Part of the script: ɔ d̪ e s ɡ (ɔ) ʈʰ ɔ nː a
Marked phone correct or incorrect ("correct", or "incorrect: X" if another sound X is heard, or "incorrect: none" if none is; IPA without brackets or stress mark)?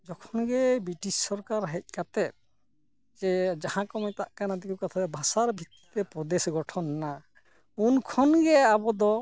correct